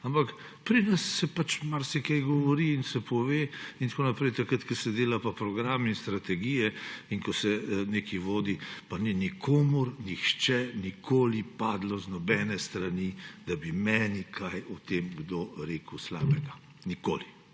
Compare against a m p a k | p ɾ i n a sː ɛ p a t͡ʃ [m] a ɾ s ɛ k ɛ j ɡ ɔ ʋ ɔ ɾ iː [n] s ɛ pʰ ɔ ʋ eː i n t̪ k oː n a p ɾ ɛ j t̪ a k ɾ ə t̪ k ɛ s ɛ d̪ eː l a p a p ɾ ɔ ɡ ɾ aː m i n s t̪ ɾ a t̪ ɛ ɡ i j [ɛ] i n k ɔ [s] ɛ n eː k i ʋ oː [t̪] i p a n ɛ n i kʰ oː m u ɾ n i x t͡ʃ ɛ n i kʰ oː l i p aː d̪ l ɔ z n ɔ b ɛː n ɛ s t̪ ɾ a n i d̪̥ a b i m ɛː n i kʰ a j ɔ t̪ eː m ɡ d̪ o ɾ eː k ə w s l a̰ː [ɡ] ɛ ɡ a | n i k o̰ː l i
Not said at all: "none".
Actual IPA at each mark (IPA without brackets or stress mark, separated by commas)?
m, n, ɛ, s, d̪, b